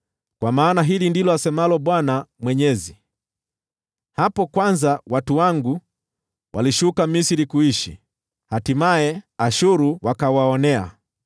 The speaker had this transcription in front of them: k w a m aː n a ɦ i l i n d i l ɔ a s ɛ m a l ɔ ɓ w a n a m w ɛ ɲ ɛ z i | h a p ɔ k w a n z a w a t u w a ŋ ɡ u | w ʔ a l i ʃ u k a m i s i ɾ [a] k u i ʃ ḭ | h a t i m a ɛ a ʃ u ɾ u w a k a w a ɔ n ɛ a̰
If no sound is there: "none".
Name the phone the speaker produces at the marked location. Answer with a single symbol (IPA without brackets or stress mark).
i